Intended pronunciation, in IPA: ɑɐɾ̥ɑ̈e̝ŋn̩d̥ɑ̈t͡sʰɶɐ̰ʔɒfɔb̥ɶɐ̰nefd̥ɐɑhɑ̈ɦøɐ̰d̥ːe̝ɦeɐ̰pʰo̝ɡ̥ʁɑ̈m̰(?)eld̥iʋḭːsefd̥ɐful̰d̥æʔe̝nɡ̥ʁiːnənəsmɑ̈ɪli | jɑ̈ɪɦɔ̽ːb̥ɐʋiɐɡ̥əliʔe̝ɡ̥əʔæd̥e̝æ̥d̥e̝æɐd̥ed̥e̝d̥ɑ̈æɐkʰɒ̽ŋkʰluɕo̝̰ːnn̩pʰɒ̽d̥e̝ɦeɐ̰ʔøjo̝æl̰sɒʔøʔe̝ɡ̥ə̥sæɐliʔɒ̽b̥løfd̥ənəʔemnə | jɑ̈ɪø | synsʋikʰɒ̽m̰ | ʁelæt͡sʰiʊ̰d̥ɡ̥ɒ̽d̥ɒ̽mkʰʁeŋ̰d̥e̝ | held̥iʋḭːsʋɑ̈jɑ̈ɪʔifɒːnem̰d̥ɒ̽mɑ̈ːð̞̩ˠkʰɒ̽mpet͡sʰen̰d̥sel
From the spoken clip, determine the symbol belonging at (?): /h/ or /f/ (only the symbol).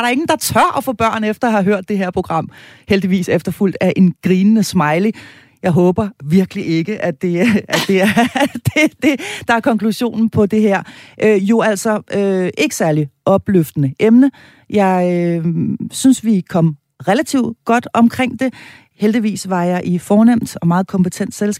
h